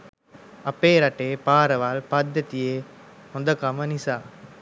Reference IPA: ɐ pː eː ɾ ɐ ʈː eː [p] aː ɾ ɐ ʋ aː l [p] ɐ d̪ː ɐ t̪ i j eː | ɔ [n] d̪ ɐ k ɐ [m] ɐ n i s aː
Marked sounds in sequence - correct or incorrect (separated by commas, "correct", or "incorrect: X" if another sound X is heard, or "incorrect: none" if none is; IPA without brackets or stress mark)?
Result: correct, correct, correct, correct